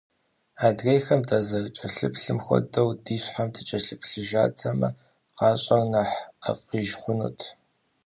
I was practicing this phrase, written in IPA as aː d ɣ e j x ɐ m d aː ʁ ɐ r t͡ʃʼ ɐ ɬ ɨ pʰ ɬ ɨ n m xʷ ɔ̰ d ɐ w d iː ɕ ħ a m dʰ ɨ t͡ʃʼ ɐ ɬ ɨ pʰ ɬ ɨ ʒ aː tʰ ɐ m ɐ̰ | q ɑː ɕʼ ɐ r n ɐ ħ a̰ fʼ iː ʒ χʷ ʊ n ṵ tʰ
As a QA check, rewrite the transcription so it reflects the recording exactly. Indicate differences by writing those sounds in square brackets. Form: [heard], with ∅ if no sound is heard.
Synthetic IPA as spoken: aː d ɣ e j x ɐ m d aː [z] ɐ r t͡ʃʼ ɐ ɬ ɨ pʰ ɬ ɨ [∅] m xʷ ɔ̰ d ɐ w d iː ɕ ħ a m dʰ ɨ t͡ʃʼ ɐ ɬ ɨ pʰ ɬ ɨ ʒ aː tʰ ɐ m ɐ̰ | q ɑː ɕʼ ɐ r n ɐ ħ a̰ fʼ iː ʒ χʷ ʊ n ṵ tʰ